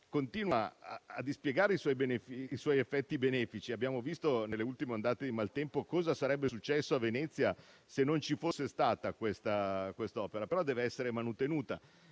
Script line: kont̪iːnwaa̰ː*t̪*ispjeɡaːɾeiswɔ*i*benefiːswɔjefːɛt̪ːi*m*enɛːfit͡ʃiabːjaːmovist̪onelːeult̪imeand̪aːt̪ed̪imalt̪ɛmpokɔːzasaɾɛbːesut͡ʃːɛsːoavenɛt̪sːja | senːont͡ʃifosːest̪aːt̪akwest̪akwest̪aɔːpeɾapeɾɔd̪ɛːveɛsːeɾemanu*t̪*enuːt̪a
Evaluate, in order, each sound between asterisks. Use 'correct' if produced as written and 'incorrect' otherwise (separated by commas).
incorrect, incorrect, incorrect, correct